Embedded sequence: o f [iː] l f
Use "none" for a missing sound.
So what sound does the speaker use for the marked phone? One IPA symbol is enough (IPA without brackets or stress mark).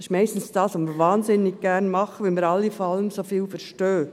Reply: iː